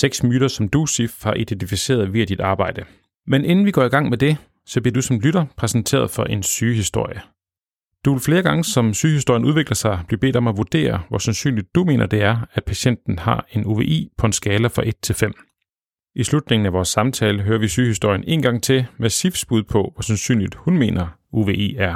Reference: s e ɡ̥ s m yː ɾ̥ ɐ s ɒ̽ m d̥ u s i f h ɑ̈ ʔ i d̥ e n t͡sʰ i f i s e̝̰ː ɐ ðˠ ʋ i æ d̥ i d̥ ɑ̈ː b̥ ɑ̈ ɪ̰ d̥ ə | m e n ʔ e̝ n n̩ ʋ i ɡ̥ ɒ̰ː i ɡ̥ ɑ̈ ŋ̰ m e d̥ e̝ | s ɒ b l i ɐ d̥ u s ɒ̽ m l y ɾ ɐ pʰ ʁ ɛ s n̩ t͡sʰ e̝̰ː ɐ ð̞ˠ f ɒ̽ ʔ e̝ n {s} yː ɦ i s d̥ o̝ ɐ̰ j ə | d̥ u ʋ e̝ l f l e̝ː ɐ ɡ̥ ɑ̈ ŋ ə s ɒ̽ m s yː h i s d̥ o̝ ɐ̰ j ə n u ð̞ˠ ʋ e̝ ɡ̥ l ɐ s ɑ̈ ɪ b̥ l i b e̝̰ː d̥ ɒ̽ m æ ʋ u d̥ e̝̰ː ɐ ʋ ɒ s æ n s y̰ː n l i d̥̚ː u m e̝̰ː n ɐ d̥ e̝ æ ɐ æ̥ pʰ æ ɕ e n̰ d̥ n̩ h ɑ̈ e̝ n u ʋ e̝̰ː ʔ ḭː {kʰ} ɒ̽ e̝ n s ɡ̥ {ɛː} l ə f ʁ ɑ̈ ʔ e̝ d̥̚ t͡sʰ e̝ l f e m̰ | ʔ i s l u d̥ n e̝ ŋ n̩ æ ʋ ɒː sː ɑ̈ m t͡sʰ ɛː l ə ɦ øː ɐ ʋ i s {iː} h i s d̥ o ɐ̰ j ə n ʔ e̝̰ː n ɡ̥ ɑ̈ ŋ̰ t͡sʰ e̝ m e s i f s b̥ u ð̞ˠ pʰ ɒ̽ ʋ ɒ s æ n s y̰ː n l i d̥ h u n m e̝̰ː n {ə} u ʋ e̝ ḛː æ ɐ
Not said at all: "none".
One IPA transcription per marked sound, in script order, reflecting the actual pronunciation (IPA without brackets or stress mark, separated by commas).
s, pʰ, ɛː, yː, ɐ